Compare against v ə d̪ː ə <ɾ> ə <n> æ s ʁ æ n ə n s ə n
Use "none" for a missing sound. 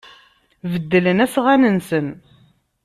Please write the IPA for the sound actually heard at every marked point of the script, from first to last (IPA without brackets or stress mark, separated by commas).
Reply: l, n